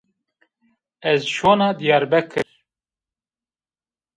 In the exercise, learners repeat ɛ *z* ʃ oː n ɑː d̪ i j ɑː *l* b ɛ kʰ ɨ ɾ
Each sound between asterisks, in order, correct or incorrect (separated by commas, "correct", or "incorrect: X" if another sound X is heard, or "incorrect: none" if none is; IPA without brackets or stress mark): correct, incorrect: ɾ